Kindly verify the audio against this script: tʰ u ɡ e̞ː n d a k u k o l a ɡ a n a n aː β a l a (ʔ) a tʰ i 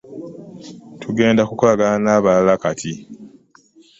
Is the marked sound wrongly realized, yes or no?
yes